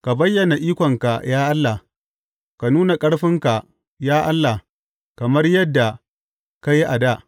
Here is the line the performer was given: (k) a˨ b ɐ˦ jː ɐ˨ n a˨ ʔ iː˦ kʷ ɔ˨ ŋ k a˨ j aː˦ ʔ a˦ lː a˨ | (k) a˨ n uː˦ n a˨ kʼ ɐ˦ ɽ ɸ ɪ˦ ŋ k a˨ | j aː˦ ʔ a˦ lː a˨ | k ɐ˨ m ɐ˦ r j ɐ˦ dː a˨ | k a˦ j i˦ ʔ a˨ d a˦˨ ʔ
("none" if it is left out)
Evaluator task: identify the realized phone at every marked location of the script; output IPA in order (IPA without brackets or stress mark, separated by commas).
k, k